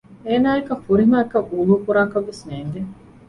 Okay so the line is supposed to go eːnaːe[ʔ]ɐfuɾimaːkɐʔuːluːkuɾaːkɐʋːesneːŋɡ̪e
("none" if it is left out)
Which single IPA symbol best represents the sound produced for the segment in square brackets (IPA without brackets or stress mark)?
k